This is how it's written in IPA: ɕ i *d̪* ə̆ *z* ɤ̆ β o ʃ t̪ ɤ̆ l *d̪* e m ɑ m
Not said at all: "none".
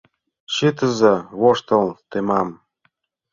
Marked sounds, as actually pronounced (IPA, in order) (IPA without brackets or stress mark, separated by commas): t̪, z, t̪